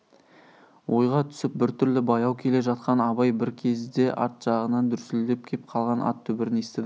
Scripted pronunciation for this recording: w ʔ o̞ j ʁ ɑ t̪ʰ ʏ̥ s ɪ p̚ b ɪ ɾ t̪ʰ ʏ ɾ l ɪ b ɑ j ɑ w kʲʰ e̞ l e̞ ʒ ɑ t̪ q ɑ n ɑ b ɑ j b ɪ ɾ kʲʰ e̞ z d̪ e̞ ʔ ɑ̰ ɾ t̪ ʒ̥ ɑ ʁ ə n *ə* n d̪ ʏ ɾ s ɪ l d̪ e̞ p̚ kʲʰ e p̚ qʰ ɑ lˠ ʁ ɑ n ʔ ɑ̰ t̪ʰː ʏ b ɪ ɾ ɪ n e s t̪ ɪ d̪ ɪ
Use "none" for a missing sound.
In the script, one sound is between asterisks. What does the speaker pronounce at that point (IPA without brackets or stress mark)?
ɑ